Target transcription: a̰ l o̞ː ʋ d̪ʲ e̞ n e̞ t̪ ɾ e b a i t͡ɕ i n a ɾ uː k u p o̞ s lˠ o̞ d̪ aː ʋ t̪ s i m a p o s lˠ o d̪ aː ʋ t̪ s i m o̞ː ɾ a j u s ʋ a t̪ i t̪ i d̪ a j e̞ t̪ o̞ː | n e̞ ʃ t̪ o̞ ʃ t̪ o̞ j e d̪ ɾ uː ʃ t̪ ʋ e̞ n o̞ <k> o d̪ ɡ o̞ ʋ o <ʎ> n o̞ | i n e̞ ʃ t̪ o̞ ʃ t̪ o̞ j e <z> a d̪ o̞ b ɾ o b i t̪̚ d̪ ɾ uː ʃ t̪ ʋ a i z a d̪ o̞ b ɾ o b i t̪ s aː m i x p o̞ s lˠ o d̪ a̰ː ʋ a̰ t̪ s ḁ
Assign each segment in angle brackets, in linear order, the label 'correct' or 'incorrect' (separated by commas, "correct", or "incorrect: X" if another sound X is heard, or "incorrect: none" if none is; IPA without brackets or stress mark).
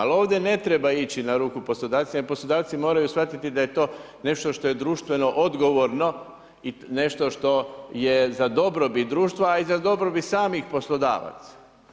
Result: incorrect: ʔ, incorrect: ɾ, correct